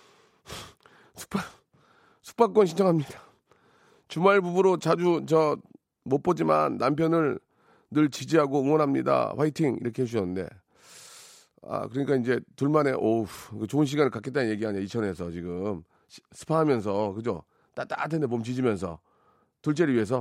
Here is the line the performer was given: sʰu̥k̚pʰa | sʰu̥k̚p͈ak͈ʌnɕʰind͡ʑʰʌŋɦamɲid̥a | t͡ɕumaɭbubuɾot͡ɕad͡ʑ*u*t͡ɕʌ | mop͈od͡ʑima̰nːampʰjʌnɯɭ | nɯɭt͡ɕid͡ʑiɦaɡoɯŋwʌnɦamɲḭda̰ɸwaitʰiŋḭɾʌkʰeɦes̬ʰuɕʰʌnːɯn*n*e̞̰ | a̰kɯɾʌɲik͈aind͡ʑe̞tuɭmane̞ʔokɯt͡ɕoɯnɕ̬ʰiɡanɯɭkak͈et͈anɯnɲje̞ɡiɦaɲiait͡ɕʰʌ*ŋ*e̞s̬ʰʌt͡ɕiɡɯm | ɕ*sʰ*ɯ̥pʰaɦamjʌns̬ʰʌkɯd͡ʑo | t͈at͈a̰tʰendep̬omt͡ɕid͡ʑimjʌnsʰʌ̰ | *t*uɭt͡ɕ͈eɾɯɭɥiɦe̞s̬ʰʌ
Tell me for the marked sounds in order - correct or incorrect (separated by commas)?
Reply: correct, incorrect, incorrect, correct, correct